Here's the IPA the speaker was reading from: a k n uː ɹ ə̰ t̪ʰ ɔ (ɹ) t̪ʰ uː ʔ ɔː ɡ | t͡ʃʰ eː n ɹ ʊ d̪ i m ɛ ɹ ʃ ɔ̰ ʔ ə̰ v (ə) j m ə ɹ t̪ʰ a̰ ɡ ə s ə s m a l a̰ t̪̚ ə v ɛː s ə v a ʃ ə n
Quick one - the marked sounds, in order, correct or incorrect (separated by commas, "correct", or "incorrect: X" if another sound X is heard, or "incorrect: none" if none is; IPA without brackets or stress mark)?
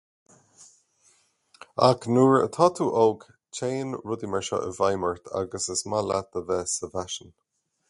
incorrect: none, incorrect: a